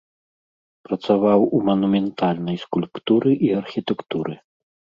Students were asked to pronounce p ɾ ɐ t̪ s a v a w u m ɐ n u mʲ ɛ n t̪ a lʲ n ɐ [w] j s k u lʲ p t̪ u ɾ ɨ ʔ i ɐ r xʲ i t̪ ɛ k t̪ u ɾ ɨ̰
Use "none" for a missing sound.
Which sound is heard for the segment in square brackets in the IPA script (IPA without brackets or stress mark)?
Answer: none